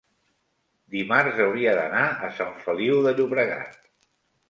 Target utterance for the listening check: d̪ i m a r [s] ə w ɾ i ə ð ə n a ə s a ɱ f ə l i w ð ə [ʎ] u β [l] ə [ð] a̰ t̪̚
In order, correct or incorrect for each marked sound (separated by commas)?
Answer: incorrect, correct, incorrect, incorrect